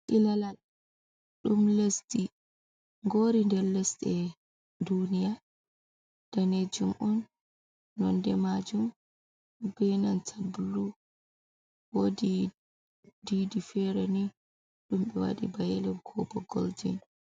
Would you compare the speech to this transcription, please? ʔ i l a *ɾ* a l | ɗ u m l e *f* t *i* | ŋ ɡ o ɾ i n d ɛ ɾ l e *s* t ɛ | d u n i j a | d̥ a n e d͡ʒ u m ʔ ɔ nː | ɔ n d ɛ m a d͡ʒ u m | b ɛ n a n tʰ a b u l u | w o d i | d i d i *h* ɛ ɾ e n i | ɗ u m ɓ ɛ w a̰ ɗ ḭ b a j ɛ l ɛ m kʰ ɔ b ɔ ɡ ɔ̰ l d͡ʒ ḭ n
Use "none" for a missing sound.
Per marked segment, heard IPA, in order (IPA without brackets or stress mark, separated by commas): l, s, i, s, f